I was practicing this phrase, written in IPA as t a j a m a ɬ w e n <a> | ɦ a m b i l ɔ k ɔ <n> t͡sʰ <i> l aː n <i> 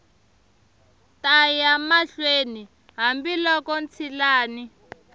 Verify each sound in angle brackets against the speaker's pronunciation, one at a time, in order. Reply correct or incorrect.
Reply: incorrect: i, correct, correct, correct

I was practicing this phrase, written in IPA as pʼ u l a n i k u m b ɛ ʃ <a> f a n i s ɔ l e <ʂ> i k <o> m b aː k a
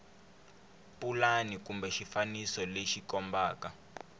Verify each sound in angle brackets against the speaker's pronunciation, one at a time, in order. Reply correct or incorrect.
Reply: incorrect: i, incorrect: ʃ, incorrect: ɔ

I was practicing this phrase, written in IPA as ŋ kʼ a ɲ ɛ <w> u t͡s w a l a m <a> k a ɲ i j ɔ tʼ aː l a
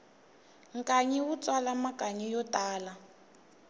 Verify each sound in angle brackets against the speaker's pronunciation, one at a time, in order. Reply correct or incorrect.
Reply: correct, correct

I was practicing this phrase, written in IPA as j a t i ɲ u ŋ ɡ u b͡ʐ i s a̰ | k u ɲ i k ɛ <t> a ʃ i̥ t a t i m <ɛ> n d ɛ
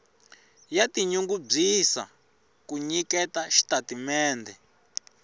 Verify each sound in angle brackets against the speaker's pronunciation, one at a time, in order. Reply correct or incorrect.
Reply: correct, incorrect: ɛː

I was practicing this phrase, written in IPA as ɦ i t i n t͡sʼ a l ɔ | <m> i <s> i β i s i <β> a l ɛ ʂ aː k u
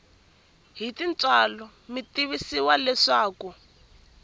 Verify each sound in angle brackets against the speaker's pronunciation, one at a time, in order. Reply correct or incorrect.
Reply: correct, incorrect: t, incorrect: w

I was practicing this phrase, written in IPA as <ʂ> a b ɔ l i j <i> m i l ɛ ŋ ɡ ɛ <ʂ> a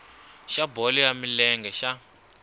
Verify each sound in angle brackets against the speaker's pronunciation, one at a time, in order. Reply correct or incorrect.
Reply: incorrect: ʃ, incorrect: a, incorrect: ʃ

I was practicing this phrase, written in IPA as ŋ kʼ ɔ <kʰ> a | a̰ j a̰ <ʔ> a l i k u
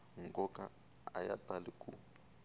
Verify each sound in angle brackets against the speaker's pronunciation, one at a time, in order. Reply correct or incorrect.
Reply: incorrect: k, incorrect: t

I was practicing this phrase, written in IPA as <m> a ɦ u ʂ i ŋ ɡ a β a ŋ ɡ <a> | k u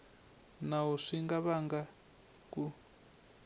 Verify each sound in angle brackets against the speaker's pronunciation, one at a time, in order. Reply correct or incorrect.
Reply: incorrect: n, correct

